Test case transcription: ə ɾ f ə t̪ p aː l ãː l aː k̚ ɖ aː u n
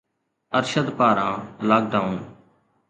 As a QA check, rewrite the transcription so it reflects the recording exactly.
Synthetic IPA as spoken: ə ɾ ʃ ə d̪ p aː ɾ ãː l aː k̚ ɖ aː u n